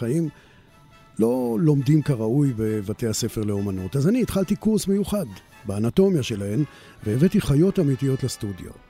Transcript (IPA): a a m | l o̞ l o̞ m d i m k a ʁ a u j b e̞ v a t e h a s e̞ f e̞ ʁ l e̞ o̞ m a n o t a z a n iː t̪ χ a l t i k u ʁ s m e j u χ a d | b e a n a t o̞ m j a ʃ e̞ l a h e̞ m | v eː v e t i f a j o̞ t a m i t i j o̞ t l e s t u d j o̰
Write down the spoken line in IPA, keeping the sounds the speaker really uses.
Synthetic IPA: a i m | l o̞ l o̞ m d i m k a ʁ a u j b e̞ v a t e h a s e̞ f e̞ ʁ l e̞ o̞ m a n o t a z a n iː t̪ χ a l t i k u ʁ s m e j u χ a d | b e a n a t o̞ m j a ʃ e̞ l a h e̞ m | v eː v e t i χ a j o̞ t a m i t i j o̞ t l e s t u d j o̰